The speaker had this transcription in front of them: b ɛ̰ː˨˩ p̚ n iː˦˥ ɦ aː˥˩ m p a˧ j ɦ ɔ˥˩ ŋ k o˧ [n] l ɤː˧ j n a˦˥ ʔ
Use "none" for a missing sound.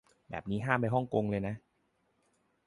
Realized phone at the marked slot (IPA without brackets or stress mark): ŋ